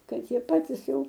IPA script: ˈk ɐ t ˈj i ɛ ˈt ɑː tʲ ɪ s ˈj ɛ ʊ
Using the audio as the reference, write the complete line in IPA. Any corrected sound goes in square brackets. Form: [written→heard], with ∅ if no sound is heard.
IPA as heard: ˈk ɐ t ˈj i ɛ [ˈt→ˈp] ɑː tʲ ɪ s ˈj ɛ ʊ